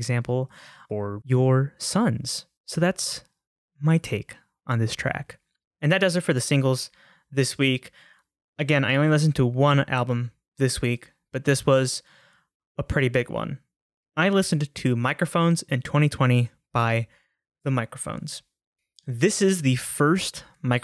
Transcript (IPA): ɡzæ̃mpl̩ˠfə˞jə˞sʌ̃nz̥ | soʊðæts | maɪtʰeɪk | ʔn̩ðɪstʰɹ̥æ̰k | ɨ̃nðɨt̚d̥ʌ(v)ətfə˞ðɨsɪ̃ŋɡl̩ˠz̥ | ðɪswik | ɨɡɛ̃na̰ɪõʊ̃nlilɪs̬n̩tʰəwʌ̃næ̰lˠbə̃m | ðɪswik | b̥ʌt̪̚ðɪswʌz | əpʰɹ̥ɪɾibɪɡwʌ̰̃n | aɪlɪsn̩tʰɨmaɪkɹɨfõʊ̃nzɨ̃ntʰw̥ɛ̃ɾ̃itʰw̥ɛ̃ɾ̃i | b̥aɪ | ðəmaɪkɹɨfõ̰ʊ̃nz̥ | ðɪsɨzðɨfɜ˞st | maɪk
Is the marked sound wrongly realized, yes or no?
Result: yes